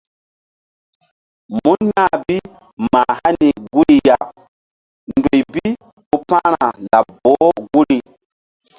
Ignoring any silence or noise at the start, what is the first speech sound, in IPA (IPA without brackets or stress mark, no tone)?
m